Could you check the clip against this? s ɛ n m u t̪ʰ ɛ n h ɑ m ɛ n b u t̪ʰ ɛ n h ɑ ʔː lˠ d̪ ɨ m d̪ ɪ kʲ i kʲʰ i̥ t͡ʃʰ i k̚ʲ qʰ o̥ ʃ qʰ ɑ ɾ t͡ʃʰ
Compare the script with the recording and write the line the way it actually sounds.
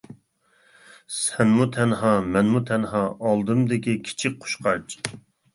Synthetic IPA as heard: s ɛ n m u t̪ʰ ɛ n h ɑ m ɛ n m u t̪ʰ ɛ n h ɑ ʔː lˠ d̪ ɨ m d̪ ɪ kʲ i kʲʰ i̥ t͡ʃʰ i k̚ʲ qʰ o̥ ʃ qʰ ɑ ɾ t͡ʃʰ